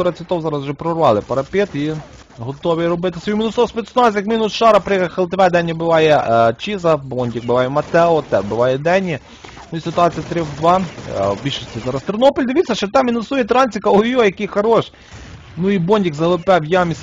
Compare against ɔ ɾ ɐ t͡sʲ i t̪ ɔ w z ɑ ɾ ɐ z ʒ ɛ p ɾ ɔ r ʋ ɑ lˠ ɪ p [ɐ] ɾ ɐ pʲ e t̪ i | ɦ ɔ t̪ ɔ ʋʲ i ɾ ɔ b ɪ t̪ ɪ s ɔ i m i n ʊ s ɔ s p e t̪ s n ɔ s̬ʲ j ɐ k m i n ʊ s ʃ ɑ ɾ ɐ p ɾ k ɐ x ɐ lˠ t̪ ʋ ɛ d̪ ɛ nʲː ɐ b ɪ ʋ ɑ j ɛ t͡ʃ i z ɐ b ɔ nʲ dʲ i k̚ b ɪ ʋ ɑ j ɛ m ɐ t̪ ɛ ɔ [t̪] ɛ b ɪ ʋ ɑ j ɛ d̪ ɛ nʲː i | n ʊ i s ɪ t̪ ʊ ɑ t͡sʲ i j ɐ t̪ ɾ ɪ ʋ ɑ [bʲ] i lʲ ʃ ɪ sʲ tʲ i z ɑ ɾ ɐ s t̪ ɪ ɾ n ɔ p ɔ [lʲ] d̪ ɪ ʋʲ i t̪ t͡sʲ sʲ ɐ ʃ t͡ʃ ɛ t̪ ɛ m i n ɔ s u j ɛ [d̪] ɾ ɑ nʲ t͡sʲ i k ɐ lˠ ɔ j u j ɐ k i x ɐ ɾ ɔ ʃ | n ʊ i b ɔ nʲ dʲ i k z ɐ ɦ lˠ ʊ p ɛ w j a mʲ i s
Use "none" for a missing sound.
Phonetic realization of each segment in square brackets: ɐ, t̪, bʲ, lʲ, t̪

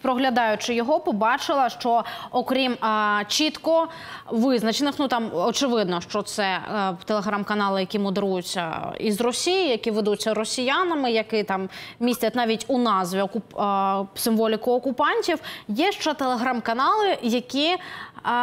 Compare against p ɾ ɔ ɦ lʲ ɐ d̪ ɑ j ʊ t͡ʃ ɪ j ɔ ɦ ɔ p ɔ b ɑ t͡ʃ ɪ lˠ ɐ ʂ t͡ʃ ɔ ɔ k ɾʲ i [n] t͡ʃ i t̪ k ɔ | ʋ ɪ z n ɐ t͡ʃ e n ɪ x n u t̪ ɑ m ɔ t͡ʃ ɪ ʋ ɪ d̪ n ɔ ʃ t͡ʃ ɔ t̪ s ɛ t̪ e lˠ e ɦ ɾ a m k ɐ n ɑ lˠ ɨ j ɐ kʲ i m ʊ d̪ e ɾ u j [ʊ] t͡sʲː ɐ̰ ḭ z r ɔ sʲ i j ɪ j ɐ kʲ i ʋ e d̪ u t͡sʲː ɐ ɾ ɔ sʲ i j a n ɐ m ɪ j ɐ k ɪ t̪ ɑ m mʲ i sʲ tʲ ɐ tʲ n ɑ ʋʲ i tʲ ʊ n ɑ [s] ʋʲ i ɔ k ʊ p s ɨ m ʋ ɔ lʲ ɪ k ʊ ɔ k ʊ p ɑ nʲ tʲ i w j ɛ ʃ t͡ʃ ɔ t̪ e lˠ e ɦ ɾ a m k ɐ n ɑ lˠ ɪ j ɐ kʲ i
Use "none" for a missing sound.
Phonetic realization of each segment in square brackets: m, ʊ, z

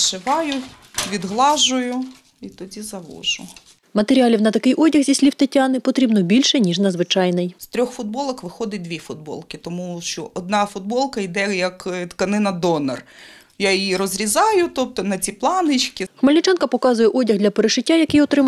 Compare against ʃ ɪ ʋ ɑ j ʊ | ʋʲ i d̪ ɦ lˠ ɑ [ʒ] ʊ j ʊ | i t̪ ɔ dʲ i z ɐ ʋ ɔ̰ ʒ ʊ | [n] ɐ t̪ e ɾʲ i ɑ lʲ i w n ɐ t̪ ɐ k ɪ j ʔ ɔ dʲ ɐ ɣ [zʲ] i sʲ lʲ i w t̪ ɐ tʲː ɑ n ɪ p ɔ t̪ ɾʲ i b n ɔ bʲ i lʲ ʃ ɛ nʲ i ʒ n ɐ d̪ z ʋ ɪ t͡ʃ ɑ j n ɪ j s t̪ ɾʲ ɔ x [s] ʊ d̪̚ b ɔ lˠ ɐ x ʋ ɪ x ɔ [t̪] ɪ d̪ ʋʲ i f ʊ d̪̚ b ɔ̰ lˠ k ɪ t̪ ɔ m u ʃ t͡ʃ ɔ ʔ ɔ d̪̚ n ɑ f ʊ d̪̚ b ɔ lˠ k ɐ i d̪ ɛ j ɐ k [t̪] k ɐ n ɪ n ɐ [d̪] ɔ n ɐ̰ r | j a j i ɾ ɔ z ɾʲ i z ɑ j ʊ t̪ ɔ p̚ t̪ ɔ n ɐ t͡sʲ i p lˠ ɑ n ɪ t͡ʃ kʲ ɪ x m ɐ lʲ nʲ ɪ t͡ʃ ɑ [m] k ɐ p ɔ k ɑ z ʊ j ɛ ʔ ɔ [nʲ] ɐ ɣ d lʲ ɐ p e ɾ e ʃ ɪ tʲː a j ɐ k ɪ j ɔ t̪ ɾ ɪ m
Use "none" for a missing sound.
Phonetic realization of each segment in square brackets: ʒ, m, zʲ, f, d̪, t̪, d̪, n, dʲ

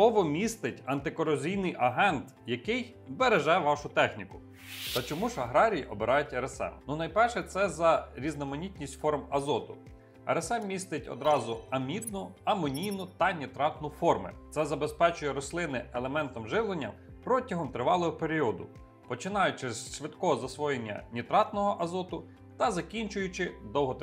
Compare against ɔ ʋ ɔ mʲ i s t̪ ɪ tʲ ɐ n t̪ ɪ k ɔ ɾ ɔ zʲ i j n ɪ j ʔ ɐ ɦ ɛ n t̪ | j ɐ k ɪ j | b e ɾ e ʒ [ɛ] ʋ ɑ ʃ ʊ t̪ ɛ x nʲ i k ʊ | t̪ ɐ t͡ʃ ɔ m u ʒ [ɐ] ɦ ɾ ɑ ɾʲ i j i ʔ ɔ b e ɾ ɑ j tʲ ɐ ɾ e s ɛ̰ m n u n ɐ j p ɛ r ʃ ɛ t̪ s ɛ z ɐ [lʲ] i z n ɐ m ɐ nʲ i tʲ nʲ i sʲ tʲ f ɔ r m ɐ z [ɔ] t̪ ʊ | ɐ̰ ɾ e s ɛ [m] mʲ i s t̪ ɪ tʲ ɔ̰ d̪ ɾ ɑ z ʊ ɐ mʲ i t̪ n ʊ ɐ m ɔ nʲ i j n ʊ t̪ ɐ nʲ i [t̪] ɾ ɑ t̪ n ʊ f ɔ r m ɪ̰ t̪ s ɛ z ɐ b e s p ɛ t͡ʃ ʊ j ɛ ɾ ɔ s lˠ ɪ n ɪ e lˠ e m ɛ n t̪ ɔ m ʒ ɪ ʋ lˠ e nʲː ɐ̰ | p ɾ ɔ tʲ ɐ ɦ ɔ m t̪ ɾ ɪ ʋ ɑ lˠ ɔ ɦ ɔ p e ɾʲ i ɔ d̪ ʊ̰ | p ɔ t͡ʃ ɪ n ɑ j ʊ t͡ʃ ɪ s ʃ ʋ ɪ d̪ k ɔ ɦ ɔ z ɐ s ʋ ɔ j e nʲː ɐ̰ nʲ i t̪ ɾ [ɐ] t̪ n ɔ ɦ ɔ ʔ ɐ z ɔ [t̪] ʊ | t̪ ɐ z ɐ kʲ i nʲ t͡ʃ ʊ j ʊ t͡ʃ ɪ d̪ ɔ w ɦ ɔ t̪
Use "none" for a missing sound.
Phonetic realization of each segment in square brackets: ɛ, ɐ, ɾʲ, ɔ, m, t̪, ɑ, t̪

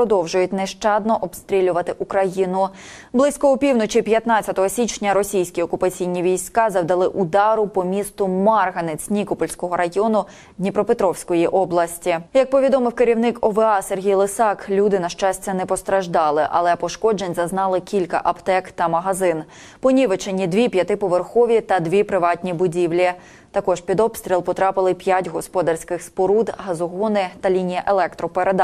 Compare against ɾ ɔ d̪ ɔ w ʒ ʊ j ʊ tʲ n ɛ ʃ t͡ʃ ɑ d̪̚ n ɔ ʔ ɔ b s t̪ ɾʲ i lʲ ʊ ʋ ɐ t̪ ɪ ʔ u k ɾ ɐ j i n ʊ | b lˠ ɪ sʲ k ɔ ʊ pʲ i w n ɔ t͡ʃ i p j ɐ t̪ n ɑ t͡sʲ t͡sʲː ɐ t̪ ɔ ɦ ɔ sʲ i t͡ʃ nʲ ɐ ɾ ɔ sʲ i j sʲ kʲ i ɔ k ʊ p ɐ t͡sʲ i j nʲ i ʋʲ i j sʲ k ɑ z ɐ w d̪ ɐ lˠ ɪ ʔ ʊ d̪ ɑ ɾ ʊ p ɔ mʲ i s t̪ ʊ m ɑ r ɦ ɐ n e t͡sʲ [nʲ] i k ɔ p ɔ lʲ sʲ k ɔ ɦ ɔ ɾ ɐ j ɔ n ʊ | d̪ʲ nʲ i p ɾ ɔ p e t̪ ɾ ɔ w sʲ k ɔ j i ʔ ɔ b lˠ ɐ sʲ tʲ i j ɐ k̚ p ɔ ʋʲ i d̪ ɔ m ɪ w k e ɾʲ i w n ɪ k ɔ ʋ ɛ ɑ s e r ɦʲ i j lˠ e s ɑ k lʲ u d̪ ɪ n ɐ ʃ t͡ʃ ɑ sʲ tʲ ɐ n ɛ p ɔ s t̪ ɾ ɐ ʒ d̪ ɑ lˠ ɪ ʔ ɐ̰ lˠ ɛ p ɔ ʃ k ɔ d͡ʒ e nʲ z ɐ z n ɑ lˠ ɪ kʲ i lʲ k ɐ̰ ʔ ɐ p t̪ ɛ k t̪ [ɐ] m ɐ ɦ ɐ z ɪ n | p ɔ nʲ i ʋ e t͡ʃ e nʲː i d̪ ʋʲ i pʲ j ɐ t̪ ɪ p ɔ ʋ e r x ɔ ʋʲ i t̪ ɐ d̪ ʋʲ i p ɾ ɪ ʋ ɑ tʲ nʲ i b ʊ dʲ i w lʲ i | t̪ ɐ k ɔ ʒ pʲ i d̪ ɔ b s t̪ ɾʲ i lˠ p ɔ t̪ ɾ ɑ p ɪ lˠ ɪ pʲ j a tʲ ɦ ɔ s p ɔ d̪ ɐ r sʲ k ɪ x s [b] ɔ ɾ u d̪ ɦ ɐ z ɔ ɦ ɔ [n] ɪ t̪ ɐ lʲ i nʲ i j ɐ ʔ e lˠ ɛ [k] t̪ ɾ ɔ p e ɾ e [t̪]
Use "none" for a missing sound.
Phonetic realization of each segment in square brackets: nʲ, ɐ, p, n, k, d̪

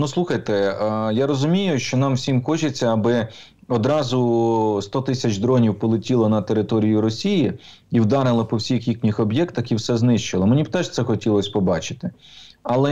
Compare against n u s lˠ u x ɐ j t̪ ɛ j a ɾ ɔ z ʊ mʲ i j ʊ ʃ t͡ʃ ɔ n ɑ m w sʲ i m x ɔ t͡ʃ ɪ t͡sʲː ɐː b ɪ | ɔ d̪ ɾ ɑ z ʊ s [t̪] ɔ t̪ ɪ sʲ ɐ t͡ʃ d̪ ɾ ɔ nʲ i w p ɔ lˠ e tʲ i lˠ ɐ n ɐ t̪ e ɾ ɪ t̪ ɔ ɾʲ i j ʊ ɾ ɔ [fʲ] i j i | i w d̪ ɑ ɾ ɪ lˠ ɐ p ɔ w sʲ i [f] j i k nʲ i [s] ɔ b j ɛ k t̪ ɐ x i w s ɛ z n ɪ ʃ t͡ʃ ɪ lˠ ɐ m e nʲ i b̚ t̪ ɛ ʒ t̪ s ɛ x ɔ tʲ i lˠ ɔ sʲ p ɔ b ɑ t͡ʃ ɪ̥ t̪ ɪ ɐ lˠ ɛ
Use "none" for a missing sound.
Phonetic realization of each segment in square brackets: t̪, sʲ, x, x

